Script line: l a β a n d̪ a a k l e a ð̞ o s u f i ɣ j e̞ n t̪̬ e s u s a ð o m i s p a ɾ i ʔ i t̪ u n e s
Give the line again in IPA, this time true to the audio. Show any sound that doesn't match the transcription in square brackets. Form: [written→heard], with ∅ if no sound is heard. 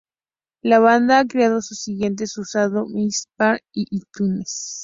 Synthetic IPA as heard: l a β a n d̪ a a k [l→ɾ] e a ð̞ o s u [f→s] i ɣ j e̞ n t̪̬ e s u s a ð o m i s p a ɾ i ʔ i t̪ u n e s